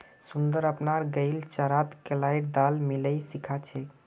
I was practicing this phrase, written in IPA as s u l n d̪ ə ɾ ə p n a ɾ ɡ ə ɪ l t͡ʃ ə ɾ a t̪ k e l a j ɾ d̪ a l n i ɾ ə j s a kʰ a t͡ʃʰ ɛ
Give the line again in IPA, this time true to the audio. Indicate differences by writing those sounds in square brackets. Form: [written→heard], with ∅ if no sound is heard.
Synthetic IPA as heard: s u [l→∅] n d̪ ə ɾ ə p n a ɾ ɡ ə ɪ l t͡ʃ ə ɾ a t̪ k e l a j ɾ d̪ a l [n→m] i [ɾ→l] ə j s [a→i] kʰ a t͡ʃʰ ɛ